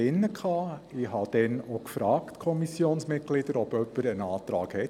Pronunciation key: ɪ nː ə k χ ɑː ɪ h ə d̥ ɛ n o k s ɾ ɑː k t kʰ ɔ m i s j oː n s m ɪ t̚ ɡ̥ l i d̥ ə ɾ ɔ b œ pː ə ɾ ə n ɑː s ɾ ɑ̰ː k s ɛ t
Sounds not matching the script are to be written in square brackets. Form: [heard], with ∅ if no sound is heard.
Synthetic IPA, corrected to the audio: ɪ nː ə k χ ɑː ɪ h [ɑ] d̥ ɛ n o k [f] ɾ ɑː k t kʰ ɔ m i s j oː n s m ɪ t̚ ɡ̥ l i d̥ ə ɾ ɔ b œ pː ə ɾ ə n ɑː [t] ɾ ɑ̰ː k [h] ɛ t